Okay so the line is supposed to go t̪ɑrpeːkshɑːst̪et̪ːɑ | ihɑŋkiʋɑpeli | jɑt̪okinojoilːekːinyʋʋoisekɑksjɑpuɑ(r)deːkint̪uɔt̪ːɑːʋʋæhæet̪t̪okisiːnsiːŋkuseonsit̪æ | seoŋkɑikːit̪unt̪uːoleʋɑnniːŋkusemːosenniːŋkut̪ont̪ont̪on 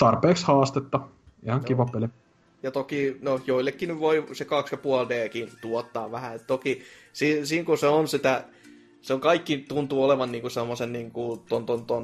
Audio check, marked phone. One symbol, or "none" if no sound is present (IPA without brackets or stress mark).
l